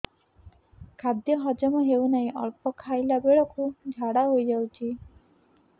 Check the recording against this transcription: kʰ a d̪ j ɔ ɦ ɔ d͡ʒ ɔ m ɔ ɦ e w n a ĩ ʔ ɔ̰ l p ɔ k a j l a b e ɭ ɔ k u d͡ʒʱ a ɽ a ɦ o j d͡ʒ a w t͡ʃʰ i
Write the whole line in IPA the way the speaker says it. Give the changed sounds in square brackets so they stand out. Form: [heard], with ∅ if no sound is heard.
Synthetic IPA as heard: kʰ a d̪ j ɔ ɦ ɔ d͡ʒ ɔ m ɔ ɦ e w n a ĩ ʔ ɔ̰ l p ɔ [kʰ] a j l a b e ɭ ɔ k u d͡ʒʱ a ɽ a ɦ o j d͡ʒ a w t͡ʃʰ i